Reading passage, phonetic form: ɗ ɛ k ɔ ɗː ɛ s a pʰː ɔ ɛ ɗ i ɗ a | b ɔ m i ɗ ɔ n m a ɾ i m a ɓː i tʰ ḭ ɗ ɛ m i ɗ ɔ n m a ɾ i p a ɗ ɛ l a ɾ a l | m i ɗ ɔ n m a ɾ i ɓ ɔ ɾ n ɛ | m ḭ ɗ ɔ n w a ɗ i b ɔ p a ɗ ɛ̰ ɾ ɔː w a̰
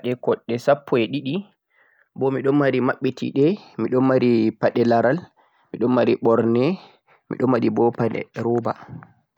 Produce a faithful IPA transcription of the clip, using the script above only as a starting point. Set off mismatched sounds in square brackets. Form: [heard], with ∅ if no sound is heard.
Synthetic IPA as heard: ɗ ɛ k ɔ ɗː ɛ s a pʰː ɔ ɛ ɗ i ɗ [i] | b ɔ m i ɗ ɔ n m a ɾ i m a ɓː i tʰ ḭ ɗ ɛ m i ɗ ɔ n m a ɾ i p a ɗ ɛ l a ɾ a l | m i ɗ ɔ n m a ɾ i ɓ ɔ ɾ n ɛ | m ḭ ɗ ɔ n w a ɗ i b ɔ p a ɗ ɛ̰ ɾ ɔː [b] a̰

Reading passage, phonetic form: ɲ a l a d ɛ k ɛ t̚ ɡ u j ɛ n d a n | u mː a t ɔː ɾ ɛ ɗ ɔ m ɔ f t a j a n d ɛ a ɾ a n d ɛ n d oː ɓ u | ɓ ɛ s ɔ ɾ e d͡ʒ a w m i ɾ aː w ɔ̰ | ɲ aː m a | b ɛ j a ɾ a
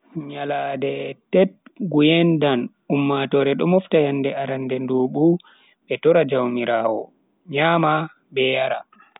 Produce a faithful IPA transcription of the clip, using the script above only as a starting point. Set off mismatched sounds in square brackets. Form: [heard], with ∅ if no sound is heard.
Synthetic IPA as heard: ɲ a l a d ɛ [t] ɛ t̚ ɡ u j ɛ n d a n | u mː a t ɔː ɾ ɛ ɗ ɔ m ɔ f t a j a n d ɛ a ɾ a n d ɛ n d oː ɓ u | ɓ ɛ [t] ɔ ɾ [a] d͡ʒ a w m i ɾ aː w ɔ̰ | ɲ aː m a | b ɛ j a ɾ a

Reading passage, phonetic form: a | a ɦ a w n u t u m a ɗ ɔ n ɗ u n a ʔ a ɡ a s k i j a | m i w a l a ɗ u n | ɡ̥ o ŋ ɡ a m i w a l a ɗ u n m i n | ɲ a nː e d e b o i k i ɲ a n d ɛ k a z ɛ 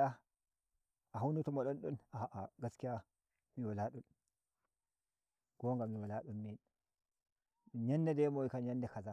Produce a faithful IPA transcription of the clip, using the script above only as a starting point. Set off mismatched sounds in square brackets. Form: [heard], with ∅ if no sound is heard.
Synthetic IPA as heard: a | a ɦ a w n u t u m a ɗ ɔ n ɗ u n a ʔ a ɡ a s k i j a | m i w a l a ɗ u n | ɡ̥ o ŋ ɡ a m i w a l a ɗ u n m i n | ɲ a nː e d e [m] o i k [a] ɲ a n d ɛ k a z [a]

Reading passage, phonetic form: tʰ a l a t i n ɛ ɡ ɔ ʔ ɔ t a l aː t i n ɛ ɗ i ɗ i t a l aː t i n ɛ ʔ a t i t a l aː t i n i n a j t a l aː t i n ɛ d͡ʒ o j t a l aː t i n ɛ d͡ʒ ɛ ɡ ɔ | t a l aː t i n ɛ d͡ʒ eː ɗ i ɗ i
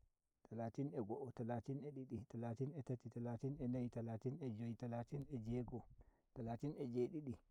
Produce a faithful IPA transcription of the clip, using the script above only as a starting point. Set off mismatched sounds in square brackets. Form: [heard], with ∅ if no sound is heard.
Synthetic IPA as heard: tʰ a l a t i n ɛ ɡ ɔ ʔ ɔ t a l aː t i n ɛ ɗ i ɗ i t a l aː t i n ɛ [t] a t i t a l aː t i n [ɛ] n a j t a l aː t i n ɛ d͡ʒ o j t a l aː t i n ɛ d͡ʒ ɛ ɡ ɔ | t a l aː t i n ɛ d͡ʒ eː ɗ i ɗ i

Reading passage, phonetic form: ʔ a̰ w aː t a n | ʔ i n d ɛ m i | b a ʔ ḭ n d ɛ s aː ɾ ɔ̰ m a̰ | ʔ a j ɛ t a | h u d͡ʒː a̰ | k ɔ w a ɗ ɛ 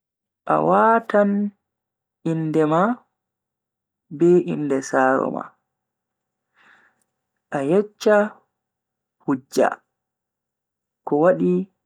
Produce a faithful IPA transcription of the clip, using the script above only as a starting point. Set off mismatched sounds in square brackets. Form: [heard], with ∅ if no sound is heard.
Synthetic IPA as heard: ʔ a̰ w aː t a n | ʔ i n d ɛ m [a] | b [ɛ] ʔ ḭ n d ɛ s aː ɾ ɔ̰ m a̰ | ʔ a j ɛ [t͡ʃː] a | h u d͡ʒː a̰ | k ɔ w a ɗ [i]

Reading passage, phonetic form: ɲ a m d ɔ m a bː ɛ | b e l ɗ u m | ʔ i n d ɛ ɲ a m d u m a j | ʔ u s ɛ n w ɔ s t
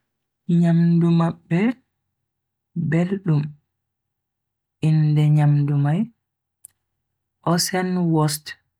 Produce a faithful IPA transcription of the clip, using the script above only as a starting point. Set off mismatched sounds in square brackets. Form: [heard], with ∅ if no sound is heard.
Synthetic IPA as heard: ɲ a m d [u] m a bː ɛ | b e l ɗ u m | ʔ i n d ɛ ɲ a m d u m a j | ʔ [ɔ] s ɛ n w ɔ s t

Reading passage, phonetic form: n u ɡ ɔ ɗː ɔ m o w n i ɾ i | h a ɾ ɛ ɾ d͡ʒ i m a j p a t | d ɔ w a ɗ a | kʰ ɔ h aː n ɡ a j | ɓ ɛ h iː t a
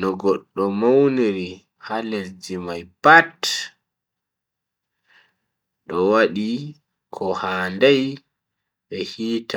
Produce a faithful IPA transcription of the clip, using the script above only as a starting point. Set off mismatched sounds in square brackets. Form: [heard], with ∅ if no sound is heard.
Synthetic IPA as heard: n [ɔ] ɡ ɔ ɗː ɔ m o w n i ɾ i | h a [l] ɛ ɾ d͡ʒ i m a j p a t | [ɗ] ɔ w a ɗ [i] | kʰ ɔ h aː n [d] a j | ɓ ɛ h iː t a

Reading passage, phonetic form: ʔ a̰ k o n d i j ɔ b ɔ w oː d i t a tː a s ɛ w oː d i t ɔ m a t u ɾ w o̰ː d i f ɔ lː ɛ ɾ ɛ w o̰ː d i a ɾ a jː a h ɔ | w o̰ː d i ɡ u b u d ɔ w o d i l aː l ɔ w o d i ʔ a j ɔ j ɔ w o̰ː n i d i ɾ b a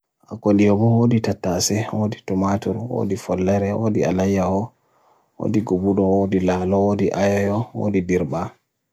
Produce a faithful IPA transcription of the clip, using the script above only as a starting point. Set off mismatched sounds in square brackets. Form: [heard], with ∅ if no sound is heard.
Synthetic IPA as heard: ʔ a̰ k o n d i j ɔ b ɔ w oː d i t a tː a s ɛ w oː d i t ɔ m a t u ɾ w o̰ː d i f ɔ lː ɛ ɾ ɛ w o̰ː d i a [l] a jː a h ɔ | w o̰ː d i ɡ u b u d ɔ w o d i l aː l ɔ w o d i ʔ a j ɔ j ɔ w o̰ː [d] i d i ɾ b a

